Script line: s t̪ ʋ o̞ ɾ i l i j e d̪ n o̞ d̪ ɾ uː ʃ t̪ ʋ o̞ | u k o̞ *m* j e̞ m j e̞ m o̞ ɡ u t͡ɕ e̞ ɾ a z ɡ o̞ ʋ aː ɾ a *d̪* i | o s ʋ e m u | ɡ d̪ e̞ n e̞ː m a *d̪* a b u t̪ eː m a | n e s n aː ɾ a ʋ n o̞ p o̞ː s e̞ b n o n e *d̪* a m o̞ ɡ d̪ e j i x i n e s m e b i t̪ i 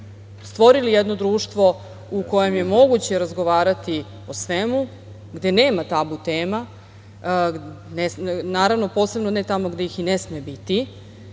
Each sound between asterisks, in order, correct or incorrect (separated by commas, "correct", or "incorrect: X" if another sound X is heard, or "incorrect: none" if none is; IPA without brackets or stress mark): incorrect: none, incorrect: t̪, incorrect: t̪, incorrect: t̪